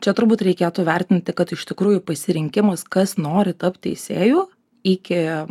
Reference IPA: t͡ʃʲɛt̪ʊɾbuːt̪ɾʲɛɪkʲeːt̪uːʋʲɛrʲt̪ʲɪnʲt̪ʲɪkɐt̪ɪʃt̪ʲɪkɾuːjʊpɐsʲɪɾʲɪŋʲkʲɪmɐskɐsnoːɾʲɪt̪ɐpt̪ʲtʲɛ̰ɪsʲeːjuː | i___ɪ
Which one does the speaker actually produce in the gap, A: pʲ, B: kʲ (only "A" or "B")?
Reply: B